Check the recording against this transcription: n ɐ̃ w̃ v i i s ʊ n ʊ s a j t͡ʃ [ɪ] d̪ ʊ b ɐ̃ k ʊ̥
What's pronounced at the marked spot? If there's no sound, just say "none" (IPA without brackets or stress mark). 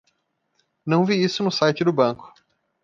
ɪ